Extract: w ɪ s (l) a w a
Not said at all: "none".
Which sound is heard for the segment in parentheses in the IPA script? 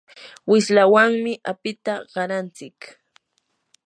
l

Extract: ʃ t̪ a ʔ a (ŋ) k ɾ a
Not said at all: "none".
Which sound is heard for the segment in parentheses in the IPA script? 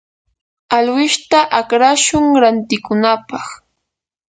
none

